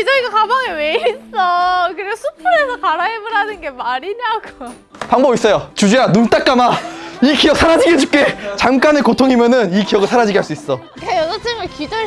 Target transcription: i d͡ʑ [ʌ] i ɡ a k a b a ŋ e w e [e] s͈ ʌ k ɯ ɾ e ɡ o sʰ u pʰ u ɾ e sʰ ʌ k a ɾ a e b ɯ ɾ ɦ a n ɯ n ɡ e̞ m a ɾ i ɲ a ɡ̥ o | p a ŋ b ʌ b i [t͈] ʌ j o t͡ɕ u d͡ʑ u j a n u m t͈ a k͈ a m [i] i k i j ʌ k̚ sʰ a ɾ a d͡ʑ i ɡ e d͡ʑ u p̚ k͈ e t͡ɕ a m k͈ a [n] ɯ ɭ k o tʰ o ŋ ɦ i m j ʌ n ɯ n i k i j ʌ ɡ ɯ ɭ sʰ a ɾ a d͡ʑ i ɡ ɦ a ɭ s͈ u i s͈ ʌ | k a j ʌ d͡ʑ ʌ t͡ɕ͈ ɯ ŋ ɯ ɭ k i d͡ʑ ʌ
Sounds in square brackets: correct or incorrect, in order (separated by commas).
correct, incorrect, incorrect, incorrect, correct